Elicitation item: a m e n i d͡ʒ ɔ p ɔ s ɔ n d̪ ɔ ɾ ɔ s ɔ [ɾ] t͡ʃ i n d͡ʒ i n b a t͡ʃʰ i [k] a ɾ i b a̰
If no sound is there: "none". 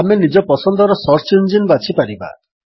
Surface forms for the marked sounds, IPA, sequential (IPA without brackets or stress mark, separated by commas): ɾ, p